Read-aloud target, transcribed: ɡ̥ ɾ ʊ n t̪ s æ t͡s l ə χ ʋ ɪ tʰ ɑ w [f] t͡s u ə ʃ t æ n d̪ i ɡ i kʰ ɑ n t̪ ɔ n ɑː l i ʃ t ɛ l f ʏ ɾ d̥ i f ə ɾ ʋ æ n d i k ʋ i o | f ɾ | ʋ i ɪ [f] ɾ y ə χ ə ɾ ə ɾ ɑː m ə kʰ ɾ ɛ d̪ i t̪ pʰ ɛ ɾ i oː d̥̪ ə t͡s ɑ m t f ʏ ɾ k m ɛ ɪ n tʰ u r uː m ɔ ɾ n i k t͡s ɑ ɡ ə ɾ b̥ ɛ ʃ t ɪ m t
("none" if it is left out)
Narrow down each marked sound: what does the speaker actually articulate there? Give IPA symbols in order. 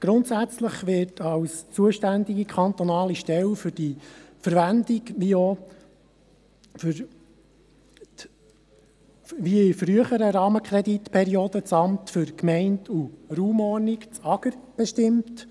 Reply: s, f

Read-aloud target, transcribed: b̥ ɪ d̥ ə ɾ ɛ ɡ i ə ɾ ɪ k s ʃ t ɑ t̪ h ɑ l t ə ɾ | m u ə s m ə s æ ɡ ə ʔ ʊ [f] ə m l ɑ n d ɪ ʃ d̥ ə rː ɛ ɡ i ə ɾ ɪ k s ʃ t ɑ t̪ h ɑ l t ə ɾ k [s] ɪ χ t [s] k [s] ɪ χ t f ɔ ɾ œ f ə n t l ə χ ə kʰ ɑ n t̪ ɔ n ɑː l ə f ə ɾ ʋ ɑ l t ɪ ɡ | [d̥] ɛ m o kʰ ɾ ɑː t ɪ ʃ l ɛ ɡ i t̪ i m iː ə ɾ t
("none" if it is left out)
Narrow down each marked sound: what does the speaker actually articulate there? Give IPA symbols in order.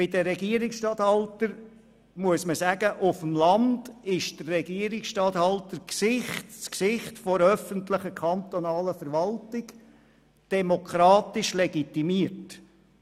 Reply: f, s, s, s, d̥

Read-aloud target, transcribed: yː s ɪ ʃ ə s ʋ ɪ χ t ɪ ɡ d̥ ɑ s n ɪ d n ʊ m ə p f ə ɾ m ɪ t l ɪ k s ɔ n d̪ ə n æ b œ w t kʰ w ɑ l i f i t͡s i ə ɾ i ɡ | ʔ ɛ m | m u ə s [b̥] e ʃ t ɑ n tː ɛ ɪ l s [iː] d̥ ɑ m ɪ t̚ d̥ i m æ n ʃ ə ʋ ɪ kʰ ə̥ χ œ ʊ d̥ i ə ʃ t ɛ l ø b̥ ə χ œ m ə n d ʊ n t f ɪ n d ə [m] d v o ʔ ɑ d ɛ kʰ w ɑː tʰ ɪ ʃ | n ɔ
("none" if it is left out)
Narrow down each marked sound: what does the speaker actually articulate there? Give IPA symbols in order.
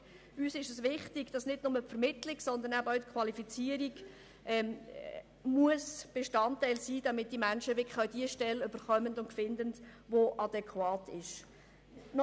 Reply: b̥, iː, n

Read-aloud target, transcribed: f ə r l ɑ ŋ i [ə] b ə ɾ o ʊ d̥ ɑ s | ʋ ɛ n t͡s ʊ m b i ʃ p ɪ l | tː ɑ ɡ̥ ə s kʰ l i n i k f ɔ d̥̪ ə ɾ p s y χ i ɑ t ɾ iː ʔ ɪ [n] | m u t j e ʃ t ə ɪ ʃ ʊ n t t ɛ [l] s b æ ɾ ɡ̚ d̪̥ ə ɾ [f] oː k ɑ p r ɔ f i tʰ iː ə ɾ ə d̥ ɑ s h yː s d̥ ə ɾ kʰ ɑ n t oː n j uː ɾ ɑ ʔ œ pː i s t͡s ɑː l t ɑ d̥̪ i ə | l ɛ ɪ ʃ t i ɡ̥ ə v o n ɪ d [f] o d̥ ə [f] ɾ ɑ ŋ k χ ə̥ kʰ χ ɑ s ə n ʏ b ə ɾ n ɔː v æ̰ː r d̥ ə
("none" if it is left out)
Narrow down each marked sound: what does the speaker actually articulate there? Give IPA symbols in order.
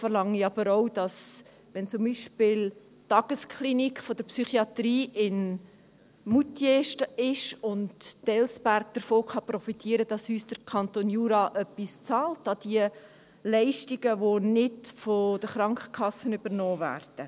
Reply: ɑ, n, l, f, f, χ

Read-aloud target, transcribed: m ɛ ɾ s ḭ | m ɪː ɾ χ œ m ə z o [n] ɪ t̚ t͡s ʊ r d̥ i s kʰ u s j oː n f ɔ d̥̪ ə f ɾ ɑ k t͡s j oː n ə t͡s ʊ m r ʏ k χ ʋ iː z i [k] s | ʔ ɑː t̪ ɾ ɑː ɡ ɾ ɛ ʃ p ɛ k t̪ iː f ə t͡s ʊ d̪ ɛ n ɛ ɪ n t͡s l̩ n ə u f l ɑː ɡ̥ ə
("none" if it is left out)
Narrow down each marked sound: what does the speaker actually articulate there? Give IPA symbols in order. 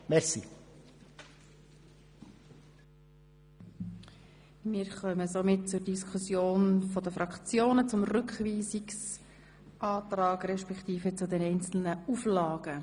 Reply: m, k

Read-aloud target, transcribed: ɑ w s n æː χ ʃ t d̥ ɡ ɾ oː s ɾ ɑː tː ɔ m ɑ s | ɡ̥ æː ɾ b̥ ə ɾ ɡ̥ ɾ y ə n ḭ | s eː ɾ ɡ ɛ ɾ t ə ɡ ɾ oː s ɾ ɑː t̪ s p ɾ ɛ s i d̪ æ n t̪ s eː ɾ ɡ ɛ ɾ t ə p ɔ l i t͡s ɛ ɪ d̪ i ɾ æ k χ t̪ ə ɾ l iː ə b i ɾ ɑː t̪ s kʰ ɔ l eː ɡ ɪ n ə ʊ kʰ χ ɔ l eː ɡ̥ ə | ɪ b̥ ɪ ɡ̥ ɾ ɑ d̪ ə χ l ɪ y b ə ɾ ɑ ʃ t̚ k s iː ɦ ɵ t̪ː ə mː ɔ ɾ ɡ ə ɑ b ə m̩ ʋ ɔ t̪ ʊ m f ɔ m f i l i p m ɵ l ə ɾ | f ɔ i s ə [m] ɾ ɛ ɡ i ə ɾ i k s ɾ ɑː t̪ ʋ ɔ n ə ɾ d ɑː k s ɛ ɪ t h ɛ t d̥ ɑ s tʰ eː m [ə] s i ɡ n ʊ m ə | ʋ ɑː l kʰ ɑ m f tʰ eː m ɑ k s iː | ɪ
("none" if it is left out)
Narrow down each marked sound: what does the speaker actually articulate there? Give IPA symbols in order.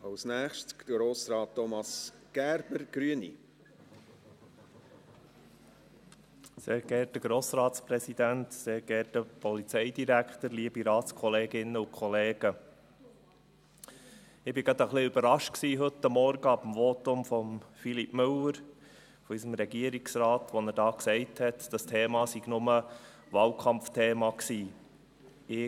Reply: m, ɑ

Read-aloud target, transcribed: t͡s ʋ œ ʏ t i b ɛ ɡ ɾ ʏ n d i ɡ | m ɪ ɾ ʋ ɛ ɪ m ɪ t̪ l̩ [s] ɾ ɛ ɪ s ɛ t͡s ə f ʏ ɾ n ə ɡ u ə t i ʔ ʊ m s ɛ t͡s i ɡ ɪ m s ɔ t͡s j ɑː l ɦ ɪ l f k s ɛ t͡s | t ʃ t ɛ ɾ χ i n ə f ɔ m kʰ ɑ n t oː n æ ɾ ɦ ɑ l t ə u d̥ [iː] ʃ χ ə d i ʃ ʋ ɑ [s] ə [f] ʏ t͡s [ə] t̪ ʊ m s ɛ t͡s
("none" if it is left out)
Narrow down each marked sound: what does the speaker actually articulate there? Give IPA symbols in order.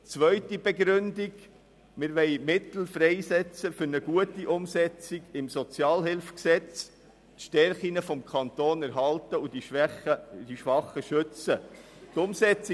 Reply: f, i, χ, ʃ, ə

